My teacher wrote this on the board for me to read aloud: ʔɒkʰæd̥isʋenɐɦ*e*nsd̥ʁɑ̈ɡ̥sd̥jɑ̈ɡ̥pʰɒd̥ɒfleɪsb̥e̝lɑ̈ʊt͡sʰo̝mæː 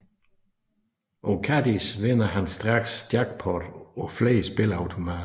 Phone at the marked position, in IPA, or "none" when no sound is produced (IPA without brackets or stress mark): æ